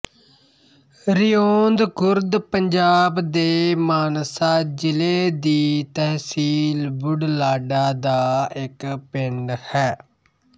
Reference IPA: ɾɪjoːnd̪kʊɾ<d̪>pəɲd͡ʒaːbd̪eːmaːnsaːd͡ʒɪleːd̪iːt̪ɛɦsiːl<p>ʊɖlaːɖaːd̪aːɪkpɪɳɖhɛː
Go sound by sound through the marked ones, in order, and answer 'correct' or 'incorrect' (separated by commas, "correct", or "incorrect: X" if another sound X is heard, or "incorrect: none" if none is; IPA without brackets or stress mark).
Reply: correct, incorrect: b